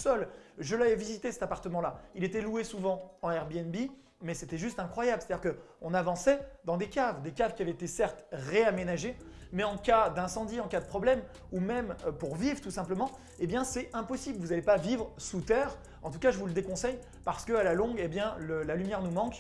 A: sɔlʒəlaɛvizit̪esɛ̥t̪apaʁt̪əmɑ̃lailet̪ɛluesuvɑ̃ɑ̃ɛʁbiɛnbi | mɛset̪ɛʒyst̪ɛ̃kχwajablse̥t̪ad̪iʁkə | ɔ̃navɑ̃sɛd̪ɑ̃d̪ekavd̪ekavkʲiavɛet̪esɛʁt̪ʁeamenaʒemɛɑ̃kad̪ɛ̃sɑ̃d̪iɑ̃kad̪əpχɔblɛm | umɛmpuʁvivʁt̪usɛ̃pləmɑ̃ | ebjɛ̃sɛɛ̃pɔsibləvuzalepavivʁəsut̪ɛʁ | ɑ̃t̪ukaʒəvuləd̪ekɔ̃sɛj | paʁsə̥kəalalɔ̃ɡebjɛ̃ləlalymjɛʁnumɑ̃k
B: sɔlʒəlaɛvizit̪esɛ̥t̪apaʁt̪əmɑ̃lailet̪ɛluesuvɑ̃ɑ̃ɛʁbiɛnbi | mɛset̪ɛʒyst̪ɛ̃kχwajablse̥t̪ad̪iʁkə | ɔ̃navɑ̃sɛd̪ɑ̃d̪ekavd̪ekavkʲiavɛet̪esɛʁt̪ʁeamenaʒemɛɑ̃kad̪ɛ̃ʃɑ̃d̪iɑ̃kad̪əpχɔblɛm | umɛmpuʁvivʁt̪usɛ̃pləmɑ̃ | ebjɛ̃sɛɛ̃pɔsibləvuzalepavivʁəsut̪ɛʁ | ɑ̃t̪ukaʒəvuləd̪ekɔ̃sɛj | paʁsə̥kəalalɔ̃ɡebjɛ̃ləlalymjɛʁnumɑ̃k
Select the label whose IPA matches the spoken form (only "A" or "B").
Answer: A